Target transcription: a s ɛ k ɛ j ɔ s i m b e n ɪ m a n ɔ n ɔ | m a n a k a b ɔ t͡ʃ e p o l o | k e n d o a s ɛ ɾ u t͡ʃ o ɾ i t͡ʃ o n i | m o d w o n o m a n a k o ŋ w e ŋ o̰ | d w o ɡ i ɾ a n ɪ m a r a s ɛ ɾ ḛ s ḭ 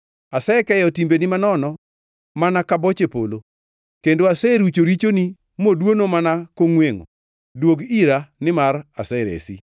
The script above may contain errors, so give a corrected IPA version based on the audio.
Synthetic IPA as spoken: a s ɛ k ɛ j ɔ t i m b e n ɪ m a n ɔ n ɔ | m a n a k a b ɔ t͡ʃ e p o l o | k e n d o a s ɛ ɾ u t͡ʃ o ɾ i t͡ʃ o n i | m o d w o n o m a n a k o ŋ w e ŋ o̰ | d w o ɡ i ɾ a n ɪ m a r a s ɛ ɾ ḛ s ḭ

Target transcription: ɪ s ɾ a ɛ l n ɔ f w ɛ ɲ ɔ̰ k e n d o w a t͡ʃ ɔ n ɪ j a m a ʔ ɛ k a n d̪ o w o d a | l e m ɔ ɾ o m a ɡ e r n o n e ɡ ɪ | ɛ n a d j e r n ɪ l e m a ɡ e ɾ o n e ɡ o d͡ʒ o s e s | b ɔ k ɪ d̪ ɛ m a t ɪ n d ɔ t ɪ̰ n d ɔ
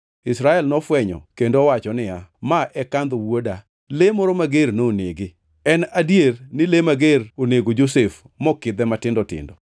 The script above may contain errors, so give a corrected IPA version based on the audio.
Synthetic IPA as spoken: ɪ s ɾ a ɛ l n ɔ f w ɛ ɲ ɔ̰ k e n d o w a t͡ʃ ɔ n ɪ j a m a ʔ ɛ k a n d̪ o w o d a | l e m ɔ ɾ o m a ɡ e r n o n e ɡ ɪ | ɛ n a d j e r n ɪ l e m a ɡ e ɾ o n e ɡ o d͡ʒ o s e f | m ɔ k ɪ d̪ ɛ m a t ɪ n d ɔ t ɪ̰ n d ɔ

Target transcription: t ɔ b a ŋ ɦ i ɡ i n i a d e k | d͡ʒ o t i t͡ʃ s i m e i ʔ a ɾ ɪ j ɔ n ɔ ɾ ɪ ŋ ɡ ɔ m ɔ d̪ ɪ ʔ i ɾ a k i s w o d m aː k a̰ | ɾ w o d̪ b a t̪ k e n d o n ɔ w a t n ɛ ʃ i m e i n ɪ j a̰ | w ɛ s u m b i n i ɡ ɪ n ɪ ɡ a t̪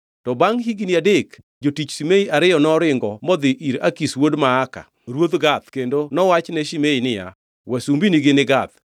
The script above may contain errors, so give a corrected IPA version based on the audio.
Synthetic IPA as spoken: t ɔ b a ŋ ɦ i ɡ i n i a d e k | d͡ʒ o t i t͡ʃ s i m e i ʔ a ɾ ɪ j ɔ n ɔ ɾ ɪ ŋ ɡ ɔ m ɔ d̪ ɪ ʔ i ɾ a k i s w o d m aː k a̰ | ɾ w o d̪ ɡ a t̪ k e n d o n ɔ w a t͡ʃ n ɛ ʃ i m e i n ɪ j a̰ | w ɛ s u m b i n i ɡ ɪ n ɪ ɡ a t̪

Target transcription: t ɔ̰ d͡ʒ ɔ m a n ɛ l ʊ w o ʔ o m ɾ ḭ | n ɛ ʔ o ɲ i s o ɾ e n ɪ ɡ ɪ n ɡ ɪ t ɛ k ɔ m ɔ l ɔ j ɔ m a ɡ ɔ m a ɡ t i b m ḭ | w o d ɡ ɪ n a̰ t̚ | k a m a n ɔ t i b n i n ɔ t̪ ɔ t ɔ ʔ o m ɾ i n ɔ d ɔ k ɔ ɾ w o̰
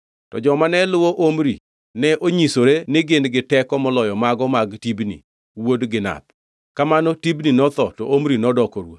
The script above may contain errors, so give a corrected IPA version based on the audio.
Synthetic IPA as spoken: t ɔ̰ d͡ʒ ɔ m a n ɛ l ʊ w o ʔ o m ɾ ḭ | n ɛ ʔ o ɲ i s o ɾ e n ɪ ɡ ɪ n ɡ ɪ t ɛ k ɔ m ɔ l ɔ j ɔ m a ɡ ɔ m a ɡ t i b n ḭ | w o d ɡ ɪ n a̰ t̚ | k a m a n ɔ t i b n i n ɔ t̪ ɔ t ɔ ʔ o m ɾ i n ɔ d ɔ k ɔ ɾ w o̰

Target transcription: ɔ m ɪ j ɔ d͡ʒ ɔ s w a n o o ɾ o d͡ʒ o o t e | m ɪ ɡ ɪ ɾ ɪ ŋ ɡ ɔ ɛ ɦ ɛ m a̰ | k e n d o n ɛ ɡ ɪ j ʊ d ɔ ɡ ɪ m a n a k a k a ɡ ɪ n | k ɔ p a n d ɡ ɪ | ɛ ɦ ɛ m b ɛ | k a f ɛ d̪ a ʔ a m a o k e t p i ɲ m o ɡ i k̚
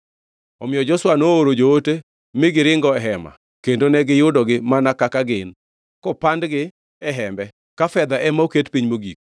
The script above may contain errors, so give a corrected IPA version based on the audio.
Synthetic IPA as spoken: ɔ m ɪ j ɔ d͡ʒ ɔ s w a n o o ɾ o d͡ʒ o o t e | m ɪ ɡ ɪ ɾ ɪ ŋ ɡ ɔ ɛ ɦ ɛ m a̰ | k e n d o n ɛ ɡ ɪ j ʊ d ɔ ɡ ɪ m a n a k a k a ɡ ɪ n | k ɔ p a n d ɡ ɪ | ɛ ɦ ɛ m b ɛ | k a f ɛ d̪ a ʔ ɛ m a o k e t p i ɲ m o ɡ i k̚

